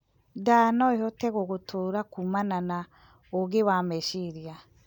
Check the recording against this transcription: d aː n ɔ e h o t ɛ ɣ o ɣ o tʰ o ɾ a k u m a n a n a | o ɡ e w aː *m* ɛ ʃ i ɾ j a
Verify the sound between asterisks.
correct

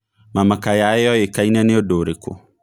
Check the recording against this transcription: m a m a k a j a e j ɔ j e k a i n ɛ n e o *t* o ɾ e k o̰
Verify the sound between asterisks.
incorrect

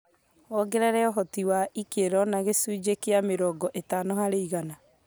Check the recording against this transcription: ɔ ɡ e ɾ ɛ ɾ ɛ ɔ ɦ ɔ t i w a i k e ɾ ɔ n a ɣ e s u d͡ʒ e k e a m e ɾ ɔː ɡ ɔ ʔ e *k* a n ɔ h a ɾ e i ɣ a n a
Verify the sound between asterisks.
incorrect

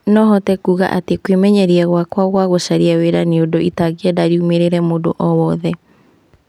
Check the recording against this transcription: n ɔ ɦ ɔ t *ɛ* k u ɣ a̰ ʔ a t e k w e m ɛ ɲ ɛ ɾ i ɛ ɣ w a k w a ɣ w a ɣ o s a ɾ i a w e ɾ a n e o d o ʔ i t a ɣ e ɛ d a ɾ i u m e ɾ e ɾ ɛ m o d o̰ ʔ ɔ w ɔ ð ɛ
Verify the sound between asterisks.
correct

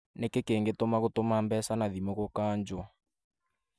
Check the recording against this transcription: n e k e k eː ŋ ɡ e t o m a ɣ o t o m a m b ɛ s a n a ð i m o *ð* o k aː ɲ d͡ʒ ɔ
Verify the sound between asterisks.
incorrect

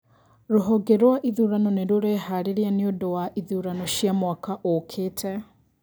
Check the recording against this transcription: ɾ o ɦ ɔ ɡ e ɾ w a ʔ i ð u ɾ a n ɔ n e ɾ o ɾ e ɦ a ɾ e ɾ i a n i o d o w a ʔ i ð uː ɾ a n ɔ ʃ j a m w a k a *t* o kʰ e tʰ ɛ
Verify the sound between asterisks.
incorrect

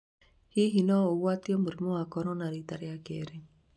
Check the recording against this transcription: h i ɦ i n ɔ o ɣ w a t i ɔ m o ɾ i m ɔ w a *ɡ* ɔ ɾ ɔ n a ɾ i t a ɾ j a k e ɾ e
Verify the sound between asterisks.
incorrect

